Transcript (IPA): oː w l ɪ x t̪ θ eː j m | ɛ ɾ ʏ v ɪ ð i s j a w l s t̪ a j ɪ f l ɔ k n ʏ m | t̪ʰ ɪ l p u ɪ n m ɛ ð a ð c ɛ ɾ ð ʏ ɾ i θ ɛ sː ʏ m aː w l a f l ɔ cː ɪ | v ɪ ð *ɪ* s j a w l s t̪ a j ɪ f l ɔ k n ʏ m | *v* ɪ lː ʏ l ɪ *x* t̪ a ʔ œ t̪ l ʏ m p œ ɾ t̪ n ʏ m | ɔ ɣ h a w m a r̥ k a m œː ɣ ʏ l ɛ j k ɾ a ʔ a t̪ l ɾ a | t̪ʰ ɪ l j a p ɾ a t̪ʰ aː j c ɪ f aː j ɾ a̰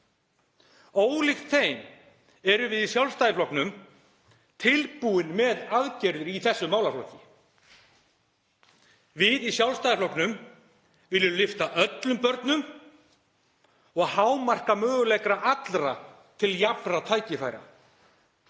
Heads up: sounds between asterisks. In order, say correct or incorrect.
incorrect: i, correct, incorrect: f

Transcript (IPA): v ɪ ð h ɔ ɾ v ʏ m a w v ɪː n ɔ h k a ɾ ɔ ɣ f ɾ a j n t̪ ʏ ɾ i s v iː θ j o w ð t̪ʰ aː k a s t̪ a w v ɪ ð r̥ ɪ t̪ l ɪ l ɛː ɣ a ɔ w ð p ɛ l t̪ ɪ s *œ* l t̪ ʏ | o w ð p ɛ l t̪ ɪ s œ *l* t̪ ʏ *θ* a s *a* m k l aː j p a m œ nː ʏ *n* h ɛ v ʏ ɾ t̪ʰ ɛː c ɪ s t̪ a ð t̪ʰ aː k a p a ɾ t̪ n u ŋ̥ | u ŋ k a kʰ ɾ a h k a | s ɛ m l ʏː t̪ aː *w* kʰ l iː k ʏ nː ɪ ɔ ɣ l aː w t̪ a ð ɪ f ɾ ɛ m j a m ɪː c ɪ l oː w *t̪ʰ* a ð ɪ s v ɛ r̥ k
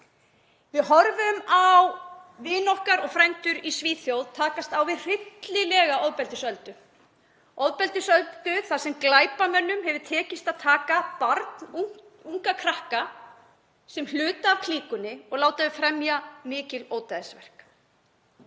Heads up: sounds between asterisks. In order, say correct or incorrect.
correct, correct, correct, incorrect: ɛ, incorrect: m, incorrect: v, incorrect: t̪

